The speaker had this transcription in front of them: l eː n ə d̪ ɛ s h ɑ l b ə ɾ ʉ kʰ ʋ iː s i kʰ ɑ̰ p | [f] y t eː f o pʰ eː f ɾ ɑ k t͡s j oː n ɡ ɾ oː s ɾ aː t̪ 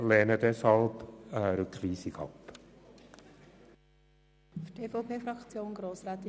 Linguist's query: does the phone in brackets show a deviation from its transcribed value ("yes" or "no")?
no